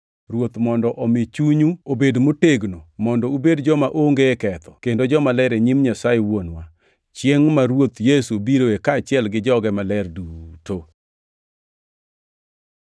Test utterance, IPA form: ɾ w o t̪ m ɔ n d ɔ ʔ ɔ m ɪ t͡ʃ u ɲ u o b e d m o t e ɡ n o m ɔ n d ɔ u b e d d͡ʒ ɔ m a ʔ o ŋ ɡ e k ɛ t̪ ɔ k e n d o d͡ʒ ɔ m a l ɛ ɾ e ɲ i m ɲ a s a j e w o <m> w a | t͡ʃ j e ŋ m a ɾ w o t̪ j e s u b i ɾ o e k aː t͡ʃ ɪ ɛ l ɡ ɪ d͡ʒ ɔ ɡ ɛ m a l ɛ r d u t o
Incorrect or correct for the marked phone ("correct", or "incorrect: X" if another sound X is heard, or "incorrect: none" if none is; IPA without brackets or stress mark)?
incorrect: n